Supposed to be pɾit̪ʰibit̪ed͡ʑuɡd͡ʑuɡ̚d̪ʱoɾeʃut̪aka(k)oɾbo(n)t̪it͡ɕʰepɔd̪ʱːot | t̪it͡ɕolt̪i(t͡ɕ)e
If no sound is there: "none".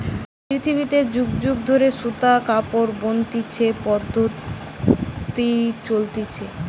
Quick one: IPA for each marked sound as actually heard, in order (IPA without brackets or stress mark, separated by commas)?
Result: p, n, t͡ɕʰ